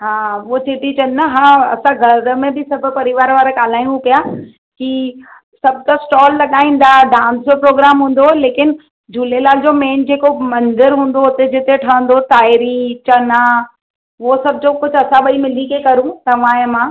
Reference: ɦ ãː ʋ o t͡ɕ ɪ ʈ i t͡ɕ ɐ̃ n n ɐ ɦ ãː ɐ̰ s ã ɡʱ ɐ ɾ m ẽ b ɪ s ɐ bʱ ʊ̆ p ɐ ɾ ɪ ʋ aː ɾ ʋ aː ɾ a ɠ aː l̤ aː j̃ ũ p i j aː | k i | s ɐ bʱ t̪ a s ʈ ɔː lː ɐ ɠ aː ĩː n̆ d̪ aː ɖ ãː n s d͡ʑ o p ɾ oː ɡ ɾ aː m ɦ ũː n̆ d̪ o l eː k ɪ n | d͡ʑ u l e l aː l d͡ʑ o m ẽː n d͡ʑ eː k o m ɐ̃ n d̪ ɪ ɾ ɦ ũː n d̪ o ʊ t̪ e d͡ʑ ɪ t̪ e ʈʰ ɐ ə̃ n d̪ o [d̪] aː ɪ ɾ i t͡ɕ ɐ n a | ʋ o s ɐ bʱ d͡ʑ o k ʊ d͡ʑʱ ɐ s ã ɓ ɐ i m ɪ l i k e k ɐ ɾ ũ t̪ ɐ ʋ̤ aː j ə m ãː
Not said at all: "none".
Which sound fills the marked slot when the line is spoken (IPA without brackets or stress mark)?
t̪